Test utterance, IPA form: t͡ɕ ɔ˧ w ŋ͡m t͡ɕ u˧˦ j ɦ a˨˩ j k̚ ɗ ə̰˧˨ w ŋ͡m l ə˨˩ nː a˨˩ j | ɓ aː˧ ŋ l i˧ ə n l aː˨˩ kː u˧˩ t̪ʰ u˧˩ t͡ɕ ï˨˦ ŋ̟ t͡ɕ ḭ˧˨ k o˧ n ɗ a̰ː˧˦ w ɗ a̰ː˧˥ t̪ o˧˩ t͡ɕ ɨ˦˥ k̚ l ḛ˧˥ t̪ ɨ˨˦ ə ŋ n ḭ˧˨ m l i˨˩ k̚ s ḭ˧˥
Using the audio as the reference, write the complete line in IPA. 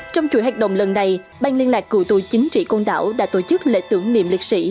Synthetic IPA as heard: t͡ɕ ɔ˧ w ŋ͡m t͡ɕ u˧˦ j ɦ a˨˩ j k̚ ɗ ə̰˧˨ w ŋ͡m l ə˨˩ nː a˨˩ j | ɓ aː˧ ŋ l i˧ ə n l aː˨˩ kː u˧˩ t̪ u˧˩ t͡ɕ ï˨˦ ŋ̟ t͡ɕ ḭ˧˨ k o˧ n ɗ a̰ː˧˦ w ɗ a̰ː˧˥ t̪ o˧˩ t͡ɕ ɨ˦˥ k̚ l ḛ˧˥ t̪ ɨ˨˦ ə ŋ n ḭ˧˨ m l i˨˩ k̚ s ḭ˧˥